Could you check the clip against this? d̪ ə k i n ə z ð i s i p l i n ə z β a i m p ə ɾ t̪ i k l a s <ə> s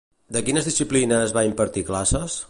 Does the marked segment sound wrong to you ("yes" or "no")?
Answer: no